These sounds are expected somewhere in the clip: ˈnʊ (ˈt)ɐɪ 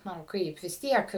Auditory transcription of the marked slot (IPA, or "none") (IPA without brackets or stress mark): k